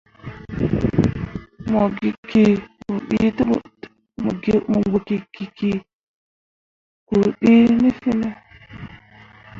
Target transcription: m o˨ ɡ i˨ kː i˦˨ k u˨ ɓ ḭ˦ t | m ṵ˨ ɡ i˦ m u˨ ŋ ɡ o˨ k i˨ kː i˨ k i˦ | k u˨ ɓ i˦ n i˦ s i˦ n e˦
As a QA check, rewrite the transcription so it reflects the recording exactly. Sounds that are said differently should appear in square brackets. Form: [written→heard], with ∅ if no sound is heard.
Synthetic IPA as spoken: m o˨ ɡ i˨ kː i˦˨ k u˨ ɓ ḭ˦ t | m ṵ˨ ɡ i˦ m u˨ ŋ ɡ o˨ k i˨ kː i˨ k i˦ | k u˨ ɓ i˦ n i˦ [s→f] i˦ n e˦